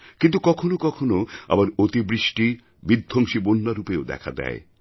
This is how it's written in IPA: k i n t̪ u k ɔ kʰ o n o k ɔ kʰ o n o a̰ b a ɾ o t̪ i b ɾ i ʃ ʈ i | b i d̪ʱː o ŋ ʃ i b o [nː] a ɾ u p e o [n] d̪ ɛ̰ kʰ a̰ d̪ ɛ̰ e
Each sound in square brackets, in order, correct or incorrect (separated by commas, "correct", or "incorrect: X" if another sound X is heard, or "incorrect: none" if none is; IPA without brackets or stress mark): correct, incorrect: none